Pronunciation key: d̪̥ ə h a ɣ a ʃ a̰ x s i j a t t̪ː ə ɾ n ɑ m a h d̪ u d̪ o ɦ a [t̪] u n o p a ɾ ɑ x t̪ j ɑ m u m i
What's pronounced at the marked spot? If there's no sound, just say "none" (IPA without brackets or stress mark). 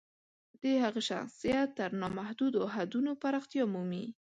d̪